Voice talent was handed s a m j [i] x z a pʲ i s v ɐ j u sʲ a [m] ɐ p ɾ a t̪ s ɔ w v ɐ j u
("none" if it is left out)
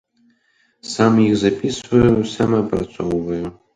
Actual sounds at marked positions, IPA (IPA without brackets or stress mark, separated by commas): i, m